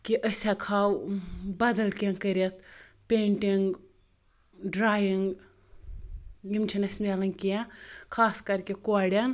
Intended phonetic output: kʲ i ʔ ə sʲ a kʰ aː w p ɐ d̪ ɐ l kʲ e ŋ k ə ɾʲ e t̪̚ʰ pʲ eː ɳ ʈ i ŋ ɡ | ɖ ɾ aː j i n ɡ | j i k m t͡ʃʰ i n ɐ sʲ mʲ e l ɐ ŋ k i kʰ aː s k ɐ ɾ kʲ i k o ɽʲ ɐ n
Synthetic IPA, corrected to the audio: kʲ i ʔ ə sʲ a kʰ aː w b ɐ d̪ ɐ l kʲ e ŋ k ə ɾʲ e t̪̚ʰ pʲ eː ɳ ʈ i ŋ ɡ | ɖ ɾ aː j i ŋ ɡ | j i m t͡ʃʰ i n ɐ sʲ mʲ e l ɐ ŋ k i kʰ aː s k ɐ ɾ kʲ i k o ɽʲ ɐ n